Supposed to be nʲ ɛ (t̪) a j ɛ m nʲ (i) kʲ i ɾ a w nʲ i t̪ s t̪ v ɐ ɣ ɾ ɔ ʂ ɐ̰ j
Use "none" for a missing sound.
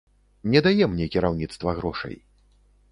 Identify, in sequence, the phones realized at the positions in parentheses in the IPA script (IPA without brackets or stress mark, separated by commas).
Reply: d̪, ɛ